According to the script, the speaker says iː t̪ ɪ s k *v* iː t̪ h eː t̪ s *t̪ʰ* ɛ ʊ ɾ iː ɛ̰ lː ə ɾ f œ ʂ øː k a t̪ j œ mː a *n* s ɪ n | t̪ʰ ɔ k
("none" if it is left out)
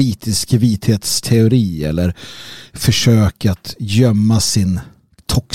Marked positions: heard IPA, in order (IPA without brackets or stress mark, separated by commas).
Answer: v, t̪ʰ, none